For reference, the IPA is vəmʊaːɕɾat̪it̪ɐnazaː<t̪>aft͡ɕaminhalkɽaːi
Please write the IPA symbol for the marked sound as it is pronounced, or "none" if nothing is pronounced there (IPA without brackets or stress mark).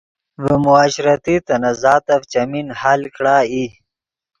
t̪